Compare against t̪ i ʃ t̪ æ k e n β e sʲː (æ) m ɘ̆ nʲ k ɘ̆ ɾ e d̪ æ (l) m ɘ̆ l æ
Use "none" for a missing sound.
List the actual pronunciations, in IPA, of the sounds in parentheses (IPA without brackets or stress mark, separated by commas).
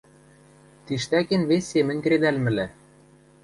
e, l